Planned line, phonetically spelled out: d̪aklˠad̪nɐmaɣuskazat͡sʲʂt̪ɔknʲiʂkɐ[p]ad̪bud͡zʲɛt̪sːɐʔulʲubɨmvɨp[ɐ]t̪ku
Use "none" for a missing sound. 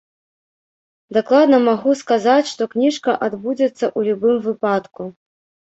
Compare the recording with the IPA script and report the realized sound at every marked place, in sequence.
ʔ, a

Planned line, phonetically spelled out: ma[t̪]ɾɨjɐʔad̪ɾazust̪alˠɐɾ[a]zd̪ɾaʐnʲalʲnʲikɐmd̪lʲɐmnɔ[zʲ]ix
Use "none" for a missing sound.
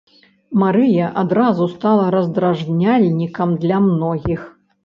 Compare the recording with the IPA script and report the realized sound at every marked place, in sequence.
none, ɐ, ɣʲ

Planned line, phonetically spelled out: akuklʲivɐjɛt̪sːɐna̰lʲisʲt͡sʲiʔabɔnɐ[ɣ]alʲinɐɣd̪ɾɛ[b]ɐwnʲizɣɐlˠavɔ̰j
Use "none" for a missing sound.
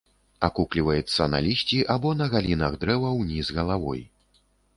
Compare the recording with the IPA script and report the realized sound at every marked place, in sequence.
ɣ, v

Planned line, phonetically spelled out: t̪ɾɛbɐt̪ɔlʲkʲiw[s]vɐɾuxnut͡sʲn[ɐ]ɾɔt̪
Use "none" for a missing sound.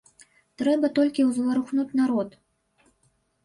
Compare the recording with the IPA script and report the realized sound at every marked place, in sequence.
z, a

